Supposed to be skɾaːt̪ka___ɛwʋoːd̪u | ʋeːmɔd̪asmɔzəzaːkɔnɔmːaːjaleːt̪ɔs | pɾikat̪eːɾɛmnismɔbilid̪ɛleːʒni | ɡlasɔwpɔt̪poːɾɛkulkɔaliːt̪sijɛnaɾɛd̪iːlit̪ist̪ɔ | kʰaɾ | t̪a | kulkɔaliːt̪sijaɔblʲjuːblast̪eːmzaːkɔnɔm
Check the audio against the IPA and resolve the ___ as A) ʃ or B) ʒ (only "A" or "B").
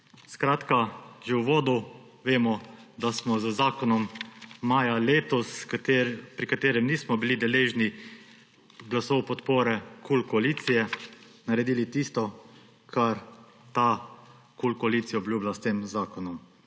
B